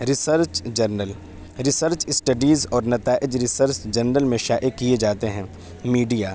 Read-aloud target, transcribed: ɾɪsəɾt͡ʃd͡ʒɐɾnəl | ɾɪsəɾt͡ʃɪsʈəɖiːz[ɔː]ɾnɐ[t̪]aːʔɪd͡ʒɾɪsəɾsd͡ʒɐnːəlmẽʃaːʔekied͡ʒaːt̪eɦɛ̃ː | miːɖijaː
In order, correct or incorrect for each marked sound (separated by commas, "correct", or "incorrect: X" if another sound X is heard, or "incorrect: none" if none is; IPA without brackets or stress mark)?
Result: correct, correct